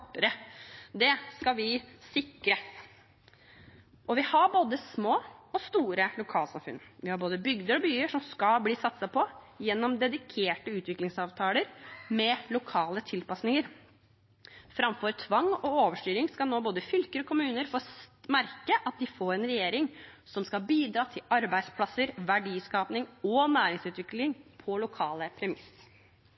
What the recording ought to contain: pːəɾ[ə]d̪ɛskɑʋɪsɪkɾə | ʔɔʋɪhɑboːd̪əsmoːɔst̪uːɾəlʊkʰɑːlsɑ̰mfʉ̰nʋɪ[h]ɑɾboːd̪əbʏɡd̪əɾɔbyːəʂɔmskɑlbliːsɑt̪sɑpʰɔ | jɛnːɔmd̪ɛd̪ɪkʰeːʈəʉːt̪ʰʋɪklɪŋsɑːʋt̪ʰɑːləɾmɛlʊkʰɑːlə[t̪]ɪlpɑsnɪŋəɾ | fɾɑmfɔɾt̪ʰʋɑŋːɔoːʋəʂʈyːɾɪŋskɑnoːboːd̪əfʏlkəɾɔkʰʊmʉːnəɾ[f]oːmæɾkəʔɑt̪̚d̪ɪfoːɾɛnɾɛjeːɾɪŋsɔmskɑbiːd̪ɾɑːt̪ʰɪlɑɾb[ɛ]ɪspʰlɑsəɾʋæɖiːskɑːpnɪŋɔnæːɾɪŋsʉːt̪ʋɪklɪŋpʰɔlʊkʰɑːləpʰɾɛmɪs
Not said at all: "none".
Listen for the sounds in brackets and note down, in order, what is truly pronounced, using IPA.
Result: ə, h, t̪ʰ, f, æ

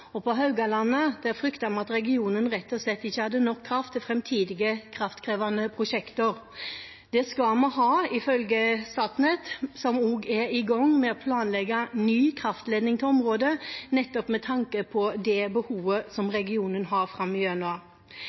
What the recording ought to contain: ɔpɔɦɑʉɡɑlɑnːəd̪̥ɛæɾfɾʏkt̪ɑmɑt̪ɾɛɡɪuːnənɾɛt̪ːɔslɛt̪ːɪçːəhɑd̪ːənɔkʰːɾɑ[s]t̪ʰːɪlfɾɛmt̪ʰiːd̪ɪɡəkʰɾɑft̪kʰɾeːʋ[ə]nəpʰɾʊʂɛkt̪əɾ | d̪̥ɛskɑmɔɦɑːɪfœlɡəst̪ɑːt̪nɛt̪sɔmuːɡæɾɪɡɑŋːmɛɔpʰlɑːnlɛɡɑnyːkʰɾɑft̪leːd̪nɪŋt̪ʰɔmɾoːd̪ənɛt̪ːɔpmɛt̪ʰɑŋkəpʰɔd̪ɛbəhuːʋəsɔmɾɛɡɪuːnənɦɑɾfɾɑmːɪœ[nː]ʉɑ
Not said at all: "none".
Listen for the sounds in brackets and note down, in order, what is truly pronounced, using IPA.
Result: f, ɑ, n

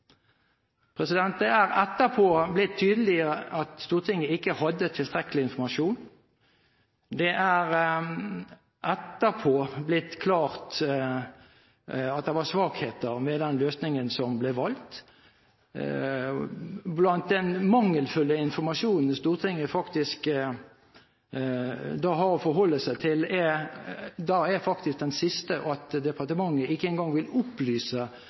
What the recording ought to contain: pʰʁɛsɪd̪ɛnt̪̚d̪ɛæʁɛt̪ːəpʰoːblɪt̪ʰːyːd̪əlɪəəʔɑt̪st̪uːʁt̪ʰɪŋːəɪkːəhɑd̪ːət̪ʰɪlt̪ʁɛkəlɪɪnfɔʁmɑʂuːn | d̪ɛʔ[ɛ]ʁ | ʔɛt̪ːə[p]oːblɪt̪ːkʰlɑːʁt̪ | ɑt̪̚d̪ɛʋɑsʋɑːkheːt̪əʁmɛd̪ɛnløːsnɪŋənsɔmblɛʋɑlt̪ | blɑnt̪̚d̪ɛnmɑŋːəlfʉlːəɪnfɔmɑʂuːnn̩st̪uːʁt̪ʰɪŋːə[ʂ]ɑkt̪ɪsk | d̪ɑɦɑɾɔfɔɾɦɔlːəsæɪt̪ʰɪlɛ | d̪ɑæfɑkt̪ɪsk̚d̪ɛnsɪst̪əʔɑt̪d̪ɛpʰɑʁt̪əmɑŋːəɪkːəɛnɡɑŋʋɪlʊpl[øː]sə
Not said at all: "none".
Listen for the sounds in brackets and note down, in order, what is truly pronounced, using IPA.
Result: æ, pʰ, f, yː

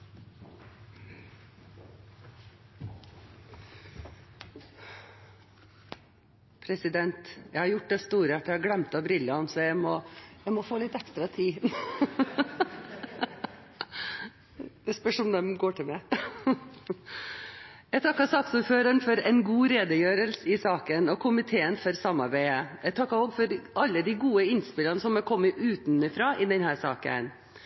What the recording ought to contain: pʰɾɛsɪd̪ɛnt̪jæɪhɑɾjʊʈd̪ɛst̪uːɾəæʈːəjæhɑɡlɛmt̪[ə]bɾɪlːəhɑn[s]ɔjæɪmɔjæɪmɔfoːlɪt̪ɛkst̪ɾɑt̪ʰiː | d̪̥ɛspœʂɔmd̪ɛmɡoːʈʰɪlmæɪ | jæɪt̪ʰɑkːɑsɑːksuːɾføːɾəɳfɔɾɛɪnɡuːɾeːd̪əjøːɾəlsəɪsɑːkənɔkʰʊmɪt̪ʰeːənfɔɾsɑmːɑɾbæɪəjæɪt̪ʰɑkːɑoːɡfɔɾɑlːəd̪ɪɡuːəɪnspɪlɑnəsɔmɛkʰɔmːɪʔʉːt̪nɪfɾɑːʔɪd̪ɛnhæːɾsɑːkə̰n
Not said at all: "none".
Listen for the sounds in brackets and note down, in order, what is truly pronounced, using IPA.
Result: ɑ, s

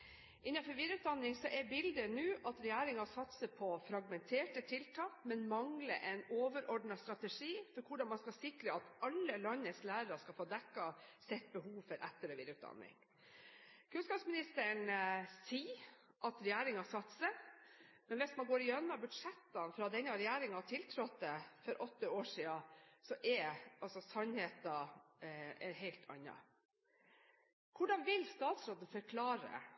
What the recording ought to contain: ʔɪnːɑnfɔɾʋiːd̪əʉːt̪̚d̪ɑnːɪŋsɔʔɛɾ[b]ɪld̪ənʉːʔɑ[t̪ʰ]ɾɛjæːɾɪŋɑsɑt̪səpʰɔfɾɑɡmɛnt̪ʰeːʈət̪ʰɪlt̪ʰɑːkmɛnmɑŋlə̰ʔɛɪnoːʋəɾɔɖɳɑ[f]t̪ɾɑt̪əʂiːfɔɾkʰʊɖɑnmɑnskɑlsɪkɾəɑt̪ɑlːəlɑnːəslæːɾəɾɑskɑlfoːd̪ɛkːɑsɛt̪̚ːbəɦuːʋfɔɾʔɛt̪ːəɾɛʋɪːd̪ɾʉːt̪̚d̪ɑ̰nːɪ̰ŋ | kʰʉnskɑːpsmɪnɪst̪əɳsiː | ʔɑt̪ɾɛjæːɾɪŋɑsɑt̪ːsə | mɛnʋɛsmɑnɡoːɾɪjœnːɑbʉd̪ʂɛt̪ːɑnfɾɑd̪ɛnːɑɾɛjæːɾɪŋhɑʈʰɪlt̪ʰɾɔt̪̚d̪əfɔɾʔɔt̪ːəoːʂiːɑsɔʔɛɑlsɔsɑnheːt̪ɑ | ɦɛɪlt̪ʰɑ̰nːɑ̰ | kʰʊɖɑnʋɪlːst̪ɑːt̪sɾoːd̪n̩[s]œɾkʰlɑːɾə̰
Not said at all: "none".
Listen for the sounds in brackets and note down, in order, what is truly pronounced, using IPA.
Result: b, t̪, s, f

